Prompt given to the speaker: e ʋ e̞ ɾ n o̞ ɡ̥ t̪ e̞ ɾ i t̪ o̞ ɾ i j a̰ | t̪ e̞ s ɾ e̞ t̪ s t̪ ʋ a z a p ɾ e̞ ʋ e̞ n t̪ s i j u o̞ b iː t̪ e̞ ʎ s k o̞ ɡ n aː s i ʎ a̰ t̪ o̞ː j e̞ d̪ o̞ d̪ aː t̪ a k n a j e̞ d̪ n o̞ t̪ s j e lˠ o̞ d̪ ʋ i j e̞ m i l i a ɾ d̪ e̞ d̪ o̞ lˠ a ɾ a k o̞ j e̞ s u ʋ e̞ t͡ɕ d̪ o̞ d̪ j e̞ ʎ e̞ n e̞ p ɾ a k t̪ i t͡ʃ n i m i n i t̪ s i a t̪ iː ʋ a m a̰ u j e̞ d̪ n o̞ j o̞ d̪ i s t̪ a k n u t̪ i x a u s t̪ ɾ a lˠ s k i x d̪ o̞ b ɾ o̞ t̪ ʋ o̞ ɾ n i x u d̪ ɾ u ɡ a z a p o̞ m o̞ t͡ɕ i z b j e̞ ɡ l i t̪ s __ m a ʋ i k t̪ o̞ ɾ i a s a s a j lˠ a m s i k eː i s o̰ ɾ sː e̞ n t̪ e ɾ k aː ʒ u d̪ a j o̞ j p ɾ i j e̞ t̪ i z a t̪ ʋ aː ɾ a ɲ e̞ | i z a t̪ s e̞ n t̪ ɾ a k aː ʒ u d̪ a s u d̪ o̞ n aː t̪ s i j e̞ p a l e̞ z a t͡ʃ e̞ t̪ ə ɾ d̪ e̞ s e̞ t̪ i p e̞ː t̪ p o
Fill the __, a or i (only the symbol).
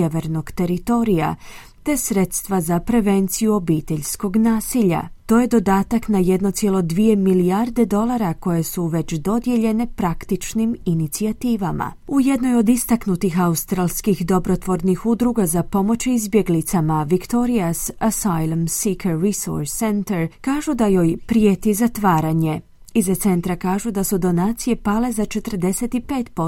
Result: a